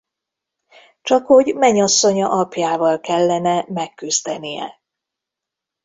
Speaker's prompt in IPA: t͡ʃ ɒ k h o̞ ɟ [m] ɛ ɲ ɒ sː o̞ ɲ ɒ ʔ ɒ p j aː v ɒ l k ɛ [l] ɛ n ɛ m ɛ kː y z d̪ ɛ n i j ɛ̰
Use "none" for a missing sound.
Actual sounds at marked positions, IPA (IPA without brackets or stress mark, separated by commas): m, lː